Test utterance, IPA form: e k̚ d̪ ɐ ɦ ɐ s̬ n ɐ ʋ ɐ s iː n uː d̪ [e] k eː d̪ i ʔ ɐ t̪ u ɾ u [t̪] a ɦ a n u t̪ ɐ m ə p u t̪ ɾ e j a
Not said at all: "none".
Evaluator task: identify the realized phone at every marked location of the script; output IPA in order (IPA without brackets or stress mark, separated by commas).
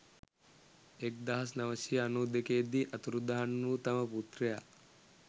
e, d̪